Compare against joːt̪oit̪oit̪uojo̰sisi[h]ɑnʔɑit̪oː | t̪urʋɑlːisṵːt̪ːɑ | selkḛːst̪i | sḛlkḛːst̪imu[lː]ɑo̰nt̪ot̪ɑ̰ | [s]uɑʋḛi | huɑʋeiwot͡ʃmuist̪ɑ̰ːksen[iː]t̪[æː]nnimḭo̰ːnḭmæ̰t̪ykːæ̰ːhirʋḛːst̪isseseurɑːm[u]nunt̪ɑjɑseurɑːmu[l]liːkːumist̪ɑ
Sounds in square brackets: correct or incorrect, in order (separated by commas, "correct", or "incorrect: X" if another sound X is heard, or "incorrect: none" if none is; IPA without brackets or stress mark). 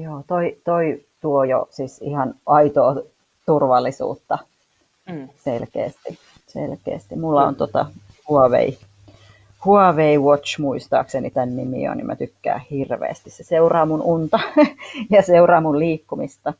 correct, correct, incorrect: h, incorrect: i, incorrect: æ, correct, correct